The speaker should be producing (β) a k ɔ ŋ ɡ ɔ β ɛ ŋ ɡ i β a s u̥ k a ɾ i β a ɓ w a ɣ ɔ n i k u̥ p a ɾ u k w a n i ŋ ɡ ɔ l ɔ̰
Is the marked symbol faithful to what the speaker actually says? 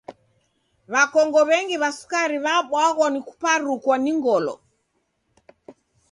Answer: yes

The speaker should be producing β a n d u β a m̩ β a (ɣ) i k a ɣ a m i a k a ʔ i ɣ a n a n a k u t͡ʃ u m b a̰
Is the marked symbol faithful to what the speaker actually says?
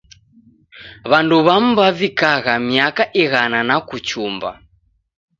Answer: no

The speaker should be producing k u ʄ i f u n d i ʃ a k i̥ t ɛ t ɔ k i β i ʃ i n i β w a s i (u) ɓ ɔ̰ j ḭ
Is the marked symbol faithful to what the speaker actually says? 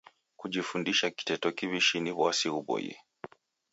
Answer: yes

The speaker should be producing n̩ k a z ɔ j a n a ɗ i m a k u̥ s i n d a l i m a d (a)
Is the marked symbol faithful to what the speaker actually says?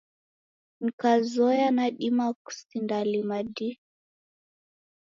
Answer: no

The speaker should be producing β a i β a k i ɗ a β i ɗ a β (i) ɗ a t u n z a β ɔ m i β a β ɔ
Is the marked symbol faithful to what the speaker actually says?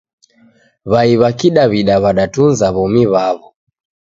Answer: no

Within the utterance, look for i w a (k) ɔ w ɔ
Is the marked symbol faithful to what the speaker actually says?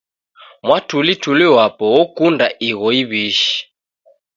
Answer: no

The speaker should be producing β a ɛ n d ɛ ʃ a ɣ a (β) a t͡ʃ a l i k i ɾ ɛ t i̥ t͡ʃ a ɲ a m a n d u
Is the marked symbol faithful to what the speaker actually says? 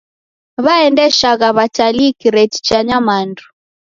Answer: yes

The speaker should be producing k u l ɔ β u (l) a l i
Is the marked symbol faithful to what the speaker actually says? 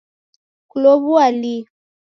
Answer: no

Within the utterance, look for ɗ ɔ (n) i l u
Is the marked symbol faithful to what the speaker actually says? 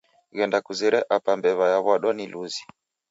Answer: yes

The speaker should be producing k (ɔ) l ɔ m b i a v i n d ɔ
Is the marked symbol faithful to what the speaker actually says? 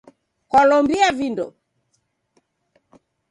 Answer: yes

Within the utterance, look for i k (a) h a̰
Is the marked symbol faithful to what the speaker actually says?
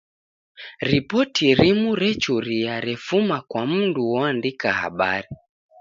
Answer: yes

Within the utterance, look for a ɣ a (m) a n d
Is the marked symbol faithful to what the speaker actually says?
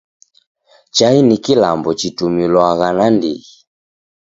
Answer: no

